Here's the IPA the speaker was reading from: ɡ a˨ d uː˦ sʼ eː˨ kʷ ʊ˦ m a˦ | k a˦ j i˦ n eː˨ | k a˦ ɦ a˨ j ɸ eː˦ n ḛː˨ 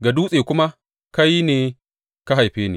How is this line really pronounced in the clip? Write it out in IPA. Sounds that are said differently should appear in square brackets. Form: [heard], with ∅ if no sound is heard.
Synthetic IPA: ɡ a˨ d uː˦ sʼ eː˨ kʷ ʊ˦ m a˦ | k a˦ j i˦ n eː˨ | k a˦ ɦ a˨ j ɸ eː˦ n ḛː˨

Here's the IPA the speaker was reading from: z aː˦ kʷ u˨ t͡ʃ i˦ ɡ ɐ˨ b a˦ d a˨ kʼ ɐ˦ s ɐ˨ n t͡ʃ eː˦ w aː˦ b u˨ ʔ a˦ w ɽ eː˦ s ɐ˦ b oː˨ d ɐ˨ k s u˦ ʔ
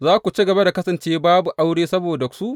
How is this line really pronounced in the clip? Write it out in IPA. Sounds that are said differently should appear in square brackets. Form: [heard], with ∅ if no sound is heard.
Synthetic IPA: z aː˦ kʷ u˨ t͡ʃ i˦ ɡ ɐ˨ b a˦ d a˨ [k] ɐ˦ s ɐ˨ n t͡ʃ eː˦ [b] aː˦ b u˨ ʔ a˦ w ɽ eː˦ s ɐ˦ b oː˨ d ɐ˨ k s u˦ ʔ

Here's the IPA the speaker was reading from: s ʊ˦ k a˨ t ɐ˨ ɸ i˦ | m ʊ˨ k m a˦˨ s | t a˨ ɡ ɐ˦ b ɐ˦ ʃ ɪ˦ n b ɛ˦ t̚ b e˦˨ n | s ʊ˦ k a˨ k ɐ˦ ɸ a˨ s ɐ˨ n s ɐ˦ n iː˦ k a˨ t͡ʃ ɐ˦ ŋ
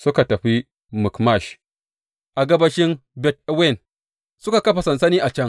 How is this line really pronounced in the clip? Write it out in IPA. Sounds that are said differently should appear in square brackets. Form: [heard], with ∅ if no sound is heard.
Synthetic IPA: s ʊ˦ k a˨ t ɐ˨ ɸ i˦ | m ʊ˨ k m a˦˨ [ʃ] | [ʔ] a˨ ɡ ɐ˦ b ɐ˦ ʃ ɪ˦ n b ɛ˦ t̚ [w] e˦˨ n | s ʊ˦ k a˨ k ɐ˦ ɸ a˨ s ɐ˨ n s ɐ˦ n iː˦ [ʔ] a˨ t͡ʃ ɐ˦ ŋ

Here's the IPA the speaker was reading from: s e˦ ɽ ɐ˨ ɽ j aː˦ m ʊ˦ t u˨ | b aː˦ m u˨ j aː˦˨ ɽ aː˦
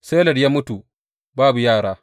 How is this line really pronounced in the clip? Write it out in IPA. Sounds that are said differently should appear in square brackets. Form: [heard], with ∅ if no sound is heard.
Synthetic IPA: s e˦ [l] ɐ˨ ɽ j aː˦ m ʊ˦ t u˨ | b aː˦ [b] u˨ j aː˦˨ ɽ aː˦

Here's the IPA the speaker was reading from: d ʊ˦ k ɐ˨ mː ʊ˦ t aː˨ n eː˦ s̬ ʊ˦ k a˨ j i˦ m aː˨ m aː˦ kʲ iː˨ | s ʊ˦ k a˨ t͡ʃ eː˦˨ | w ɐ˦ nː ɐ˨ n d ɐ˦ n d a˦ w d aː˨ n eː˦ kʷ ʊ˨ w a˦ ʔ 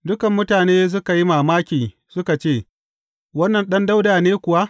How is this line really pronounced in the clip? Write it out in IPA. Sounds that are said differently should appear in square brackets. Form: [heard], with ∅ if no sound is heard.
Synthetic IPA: d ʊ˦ k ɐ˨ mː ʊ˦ t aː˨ n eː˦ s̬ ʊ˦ k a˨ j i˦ m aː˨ m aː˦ kʲ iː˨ | s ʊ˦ k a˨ t͡ʃ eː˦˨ | w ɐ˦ nː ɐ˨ n [ɗ] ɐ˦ n d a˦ w d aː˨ n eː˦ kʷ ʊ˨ w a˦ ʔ

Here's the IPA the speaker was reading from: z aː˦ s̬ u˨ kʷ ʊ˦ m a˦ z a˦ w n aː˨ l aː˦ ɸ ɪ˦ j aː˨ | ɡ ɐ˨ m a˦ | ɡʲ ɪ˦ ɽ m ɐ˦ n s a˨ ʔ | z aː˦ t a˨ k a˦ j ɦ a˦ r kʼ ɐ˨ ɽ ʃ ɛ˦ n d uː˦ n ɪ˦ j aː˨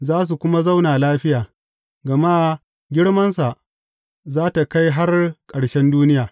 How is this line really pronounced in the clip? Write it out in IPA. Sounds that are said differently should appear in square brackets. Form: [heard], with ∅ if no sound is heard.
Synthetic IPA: z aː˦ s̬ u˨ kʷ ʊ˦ m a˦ z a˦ w n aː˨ l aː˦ ɸ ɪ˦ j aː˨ | ɡ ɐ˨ m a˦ | ɡʲ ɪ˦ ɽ m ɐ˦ n s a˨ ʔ | z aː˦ t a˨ k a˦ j ɦ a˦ r kʼ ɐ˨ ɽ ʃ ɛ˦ n d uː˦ n ɪ˦ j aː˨

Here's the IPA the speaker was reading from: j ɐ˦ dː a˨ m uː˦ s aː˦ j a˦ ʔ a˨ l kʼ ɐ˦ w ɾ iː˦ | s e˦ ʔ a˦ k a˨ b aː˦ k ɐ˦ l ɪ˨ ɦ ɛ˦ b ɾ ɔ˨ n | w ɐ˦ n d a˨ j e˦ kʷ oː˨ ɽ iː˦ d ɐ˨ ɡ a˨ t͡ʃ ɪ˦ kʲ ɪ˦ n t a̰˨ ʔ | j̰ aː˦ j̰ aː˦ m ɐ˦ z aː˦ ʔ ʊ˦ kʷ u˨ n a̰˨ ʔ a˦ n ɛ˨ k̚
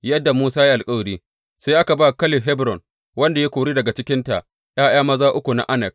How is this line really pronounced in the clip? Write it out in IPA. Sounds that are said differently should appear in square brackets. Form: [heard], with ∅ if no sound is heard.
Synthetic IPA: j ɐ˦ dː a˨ m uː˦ s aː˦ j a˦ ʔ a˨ l kʼ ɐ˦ w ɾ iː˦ | s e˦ ʔ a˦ k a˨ b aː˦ k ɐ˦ l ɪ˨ ɦ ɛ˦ b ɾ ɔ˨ n | w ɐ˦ n d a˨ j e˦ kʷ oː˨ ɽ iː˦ d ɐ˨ ɡ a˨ t͡ʃ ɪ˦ kʲ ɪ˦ n t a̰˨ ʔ | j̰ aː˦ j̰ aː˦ m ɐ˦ z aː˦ ʔ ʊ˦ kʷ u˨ n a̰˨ ʔ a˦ n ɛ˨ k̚

